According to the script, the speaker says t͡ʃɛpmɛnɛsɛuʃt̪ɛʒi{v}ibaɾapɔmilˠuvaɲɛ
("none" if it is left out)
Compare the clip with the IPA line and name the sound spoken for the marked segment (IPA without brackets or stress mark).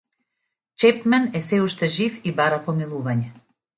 f